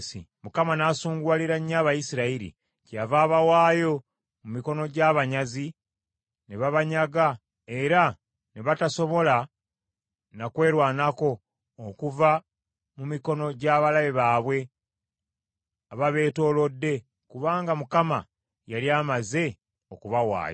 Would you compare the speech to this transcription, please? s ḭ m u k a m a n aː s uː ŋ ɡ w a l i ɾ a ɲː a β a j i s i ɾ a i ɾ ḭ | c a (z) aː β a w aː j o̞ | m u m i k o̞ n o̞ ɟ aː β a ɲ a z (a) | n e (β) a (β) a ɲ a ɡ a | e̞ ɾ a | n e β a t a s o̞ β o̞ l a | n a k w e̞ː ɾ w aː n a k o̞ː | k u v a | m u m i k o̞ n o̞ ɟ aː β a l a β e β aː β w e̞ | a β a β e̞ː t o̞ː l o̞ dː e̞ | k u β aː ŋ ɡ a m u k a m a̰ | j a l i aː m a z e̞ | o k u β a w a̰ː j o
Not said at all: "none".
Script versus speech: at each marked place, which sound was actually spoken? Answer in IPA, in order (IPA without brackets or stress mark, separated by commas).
v, i, β, β